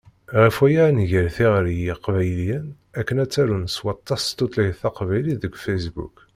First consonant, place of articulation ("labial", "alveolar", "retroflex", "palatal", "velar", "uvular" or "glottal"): uvular